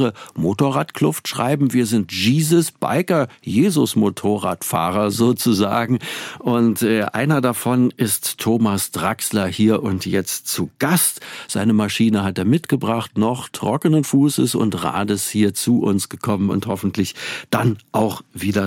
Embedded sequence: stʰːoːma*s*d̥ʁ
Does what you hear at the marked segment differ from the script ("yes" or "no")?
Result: no